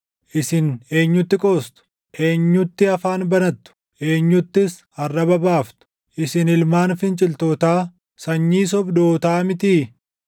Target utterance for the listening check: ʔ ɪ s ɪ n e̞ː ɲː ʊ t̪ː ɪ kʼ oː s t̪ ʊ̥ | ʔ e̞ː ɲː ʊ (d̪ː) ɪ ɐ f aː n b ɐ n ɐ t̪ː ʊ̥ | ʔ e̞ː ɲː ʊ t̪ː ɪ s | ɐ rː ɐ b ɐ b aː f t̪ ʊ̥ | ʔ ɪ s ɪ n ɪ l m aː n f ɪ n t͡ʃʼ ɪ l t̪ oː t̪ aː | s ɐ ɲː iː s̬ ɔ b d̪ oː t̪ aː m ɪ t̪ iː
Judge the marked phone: incorrect: t̪ː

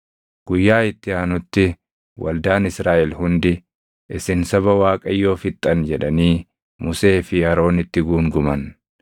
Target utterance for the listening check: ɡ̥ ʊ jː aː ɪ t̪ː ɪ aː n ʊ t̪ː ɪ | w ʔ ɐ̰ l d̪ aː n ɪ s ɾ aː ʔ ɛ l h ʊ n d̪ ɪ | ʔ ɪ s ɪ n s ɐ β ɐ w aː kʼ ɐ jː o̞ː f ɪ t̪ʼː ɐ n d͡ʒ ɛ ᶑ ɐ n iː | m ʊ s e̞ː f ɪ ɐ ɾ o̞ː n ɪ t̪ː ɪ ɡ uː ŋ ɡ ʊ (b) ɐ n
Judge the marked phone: incorrect: m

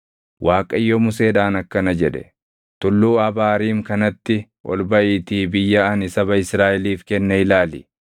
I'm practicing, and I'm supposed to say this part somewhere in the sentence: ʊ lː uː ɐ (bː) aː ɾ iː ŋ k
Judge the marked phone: incorrect: b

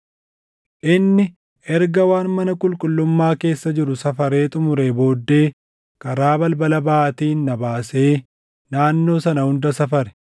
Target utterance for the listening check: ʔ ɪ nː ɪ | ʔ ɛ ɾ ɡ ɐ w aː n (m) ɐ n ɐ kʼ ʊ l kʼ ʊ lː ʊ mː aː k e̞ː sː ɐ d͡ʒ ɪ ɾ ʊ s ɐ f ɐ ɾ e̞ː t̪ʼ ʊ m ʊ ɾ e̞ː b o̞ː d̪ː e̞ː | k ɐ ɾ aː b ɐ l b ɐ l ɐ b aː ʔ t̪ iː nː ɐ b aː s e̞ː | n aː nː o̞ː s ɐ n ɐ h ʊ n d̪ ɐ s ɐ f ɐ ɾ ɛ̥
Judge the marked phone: correct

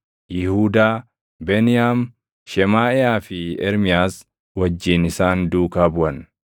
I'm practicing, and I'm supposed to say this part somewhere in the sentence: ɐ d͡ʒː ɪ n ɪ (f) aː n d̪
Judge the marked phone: incorrect: s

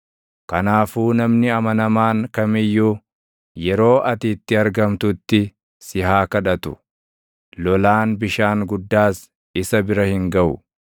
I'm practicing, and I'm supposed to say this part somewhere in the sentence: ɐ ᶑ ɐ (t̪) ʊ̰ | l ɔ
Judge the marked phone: correct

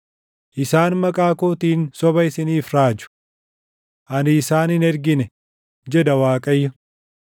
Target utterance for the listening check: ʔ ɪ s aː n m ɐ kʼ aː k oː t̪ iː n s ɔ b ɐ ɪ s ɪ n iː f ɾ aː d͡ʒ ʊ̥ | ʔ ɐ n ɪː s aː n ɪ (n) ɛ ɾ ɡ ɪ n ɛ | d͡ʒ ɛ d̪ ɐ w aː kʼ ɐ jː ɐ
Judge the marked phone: correct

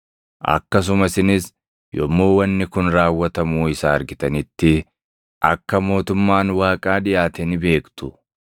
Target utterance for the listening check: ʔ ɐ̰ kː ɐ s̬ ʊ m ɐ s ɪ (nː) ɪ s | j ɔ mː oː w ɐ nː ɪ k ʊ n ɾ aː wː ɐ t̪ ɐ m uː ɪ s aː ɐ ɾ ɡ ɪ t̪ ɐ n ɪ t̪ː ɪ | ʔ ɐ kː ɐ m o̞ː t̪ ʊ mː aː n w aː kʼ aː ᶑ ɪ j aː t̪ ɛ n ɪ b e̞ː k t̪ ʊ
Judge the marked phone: incorrect: n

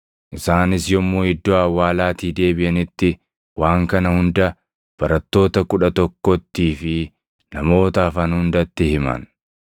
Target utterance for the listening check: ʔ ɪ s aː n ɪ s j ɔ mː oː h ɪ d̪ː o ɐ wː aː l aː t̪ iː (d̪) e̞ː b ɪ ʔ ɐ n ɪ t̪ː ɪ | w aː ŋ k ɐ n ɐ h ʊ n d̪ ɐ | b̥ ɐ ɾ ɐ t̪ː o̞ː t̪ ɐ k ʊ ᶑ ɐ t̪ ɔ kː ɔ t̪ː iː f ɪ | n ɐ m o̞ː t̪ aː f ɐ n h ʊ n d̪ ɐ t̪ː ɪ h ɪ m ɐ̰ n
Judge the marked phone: correct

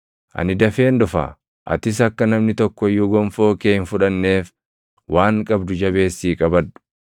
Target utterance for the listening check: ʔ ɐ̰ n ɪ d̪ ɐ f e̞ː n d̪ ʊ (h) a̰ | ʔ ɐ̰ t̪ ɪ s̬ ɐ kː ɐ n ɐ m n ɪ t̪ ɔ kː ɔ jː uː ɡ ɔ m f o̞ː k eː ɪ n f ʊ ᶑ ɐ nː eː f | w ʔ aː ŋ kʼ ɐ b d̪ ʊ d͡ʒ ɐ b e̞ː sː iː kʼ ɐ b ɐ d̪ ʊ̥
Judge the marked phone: incorrect: f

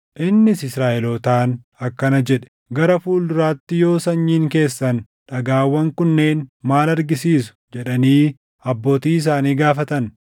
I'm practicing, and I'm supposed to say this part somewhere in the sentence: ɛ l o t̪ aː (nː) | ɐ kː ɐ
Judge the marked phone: incorrect: n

